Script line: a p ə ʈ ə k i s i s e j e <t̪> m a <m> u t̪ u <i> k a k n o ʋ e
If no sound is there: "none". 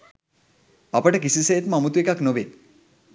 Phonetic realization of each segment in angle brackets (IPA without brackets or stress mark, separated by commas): t̪, m, e